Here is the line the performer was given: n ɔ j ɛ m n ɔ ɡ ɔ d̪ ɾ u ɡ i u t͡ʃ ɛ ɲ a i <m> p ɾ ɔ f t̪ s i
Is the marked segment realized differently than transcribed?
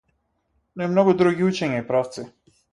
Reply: yes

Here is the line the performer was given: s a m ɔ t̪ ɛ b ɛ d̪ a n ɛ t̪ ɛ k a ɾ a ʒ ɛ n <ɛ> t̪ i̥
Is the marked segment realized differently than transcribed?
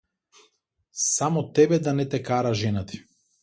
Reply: yes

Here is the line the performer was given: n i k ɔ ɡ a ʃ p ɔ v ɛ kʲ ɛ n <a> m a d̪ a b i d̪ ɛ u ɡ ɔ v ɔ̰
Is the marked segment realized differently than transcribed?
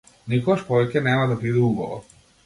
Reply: yes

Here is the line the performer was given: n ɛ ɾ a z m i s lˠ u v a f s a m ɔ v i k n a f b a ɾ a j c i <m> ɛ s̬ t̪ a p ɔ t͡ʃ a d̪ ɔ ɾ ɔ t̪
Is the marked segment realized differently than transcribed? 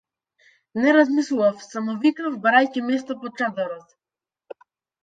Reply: no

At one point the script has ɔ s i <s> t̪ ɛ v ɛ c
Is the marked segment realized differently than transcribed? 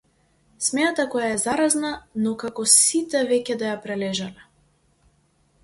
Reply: yes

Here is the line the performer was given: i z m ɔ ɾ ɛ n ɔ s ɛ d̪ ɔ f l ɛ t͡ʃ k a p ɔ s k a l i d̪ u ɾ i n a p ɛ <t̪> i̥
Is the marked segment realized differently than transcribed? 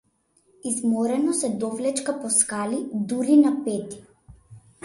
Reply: no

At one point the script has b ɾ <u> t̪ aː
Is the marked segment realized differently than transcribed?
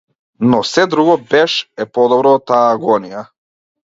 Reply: yes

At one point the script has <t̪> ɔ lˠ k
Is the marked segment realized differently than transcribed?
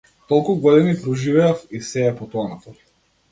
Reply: no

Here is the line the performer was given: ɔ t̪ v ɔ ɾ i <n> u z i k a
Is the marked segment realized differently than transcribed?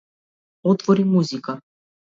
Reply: yes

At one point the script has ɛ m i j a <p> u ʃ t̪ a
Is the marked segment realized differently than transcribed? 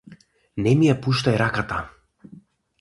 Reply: no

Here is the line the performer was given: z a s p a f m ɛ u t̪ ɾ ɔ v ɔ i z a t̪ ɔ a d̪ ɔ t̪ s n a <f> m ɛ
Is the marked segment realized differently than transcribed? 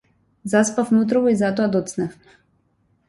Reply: no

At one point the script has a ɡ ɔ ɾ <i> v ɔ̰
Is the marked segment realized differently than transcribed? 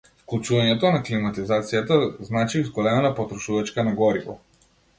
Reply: no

